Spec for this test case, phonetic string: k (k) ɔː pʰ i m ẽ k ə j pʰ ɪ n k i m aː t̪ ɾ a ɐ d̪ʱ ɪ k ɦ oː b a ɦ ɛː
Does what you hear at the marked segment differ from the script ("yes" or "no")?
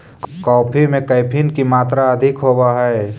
no